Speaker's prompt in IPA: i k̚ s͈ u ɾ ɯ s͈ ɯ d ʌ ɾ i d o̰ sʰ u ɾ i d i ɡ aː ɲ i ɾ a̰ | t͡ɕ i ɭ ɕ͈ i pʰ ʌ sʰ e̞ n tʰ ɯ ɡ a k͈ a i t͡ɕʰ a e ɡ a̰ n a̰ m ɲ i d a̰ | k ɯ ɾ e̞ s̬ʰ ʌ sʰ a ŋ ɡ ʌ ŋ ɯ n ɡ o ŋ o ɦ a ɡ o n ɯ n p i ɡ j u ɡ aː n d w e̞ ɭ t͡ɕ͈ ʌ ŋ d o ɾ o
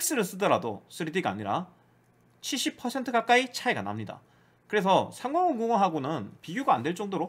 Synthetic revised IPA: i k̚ s͈ ɯ ɾ ɯ s͈ ɯ d ʌ ɾ a d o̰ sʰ ɯ ɾ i d i ɡ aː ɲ i ɾ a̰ | t͡ɕʰ i ɭ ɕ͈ i pʰ ʌ sʰ e̞ n tʰ ɯ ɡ a k͈ a i t͡ɕʰ a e ɡ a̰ n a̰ m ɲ i d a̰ | k ɯ ɾ e̞ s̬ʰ ʌ sʰ a ŋ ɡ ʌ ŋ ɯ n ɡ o ŋ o ɦ a ɡ o n ɯ n p i ɡ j u ɡ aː n d w e̞ ɭ t͡ɕ͈ ʌ ŋ d o ɾ o